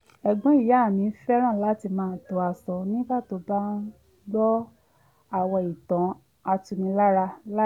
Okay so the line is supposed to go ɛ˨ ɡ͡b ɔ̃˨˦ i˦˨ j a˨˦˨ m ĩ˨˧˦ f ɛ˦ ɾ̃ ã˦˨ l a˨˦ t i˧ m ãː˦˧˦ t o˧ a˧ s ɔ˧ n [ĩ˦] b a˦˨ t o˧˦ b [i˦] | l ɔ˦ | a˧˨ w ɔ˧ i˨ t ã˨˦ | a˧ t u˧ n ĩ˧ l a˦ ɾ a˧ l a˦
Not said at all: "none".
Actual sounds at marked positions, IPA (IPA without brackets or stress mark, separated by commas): ĩ˦, a˦